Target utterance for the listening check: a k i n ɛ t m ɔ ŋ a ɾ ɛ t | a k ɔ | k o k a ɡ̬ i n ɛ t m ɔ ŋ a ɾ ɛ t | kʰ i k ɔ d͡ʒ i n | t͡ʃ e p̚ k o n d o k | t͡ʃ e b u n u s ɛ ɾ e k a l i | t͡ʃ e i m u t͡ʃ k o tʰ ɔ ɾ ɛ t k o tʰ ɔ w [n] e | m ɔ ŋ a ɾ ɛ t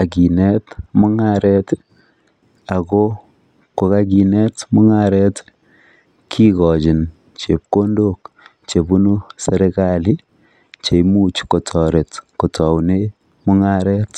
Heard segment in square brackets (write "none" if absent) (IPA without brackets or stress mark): n